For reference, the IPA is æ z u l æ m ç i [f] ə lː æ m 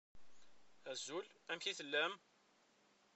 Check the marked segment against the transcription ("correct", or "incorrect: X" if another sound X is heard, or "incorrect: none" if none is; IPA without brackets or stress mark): incorrect: θ